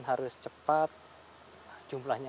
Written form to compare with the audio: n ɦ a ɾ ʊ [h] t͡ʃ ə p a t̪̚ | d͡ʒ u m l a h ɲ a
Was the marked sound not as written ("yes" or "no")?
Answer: yes